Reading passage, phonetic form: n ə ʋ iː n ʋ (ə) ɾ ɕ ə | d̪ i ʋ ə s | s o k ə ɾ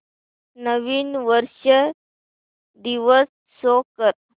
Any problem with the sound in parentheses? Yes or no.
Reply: no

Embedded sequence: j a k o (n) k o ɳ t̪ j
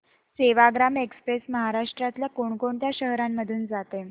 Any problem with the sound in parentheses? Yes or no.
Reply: yes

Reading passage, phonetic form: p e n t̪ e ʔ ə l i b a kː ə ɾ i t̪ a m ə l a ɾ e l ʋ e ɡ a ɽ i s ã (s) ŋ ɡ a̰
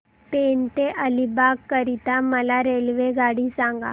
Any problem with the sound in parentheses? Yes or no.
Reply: yes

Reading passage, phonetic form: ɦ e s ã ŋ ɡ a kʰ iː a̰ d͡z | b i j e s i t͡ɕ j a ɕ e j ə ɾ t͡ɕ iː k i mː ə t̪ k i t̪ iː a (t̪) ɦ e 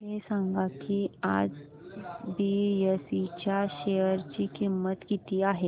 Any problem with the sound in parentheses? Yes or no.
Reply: yes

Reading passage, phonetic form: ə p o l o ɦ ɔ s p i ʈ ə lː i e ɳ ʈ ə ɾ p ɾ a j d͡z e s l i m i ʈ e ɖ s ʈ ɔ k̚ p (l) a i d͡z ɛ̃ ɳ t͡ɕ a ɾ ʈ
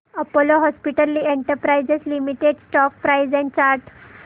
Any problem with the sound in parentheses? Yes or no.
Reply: yes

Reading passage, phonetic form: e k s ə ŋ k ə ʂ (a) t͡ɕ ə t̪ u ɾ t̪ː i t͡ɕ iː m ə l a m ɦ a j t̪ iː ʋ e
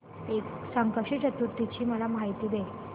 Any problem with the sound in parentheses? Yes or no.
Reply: yes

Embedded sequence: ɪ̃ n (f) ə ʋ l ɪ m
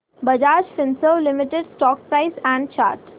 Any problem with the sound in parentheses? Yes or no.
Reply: yes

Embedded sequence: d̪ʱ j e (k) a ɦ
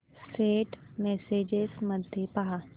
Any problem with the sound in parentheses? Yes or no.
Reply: yes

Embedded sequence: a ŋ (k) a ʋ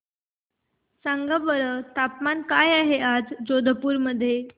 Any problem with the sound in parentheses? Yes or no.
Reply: yes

